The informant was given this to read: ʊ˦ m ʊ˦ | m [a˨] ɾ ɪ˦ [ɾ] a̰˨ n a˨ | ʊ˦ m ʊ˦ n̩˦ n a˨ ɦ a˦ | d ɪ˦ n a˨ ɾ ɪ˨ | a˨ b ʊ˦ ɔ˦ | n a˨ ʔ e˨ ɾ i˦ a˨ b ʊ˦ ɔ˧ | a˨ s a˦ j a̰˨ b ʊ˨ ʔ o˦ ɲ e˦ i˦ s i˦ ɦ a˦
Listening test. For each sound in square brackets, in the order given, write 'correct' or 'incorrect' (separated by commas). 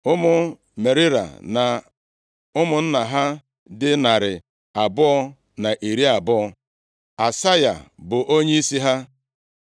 incorrect, correct